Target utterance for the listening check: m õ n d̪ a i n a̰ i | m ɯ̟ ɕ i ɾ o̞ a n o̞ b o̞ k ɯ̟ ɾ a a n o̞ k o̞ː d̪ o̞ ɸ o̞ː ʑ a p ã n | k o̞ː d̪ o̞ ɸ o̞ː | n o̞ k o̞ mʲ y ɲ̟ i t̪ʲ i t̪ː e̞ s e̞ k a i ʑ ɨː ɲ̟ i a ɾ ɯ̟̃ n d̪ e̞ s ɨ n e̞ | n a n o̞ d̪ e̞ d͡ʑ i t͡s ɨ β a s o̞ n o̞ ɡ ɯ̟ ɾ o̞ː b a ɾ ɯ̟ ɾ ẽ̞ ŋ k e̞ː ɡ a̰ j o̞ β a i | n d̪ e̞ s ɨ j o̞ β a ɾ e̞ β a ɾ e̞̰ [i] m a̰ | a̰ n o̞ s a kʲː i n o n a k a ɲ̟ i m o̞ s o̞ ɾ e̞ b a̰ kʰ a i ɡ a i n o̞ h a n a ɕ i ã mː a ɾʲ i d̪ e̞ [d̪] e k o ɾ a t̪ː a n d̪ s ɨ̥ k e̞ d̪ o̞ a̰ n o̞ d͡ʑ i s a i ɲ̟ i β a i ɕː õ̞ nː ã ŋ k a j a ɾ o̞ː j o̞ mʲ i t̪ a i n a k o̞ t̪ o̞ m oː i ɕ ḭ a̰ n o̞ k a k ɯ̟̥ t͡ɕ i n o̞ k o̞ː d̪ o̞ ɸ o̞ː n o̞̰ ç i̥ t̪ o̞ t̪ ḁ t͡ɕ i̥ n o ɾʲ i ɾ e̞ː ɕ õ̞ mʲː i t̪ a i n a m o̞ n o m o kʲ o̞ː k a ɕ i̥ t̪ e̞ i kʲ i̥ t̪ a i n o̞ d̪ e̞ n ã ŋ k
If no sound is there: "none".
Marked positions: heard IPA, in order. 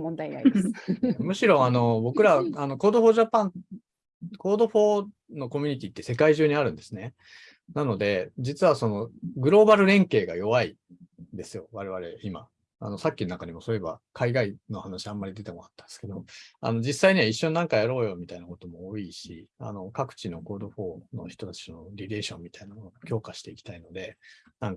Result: i, t̪

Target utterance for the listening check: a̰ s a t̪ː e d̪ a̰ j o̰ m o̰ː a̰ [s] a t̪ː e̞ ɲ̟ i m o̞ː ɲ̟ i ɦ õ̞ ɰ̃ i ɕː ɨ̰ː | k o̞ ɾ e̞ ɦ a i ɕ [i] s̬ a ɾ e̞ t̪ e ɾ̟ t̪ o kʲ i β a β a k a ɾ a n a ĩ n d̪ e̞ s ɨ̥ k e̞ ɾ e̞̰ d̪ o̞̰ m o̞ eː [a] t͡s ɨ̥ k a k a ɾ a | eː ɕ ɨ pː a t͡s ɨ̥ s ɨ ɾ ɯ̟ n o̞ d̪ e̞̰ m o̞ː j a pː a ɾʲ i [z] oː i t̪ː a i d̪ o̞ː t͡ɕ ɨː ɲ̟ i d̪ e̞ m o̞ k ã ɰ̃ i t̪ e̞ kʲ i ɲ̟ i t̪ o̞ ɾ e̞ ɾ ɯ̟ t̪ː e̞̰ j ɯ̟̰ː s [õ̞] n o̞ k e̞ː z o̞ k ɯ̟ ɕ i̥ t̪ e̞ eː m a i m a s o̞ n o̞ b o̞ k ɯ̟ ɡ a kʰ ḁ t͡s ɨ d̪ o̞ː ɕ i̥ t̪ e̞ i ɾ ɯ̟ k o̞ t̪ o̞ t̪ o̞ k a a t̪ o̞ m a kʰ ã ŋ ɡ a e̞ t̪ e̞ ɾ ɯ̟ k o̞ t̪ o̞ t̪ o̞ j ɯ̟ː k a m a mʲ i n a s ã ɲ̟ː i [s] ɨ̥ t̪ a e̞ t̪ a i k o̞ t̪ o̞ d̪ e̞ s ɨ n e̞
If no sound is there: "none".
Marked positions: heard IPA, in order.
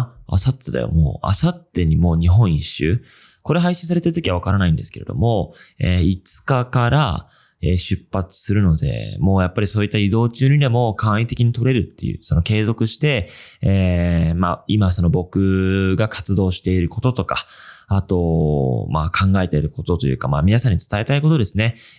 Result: s, ĩ, i, s, o̞, t͡s

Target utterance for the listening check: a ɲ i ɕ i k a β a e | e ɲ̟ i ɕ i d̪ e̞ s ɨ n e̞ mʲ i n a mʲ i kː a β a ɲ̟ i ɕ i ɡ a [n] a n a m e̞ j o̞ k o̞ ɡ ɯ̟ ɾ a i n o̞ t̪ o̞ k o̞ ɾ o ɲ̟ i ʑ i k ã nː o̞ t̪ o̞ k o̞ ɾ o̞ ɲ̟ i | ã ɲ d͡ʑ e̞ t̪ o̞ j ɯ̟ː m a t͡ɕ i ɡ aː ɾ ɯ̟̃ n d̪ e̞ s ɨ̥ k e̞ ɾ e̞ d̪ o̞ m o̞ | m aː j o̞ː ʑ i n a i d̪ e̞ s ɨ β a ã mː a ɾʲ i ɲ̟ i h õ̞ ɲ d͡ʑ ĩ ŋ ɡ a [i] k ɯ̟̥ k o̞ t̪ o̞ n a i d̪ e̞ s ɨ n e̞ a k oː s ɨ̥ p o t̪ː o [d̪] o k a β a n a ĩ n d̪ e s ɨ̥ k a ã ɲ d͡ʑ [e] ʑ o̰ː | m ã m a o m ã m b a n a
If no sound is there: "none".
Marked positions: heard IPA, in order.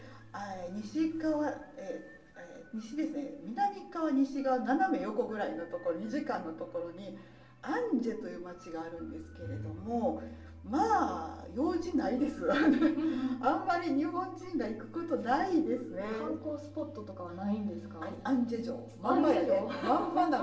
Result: n, i, t̪, e

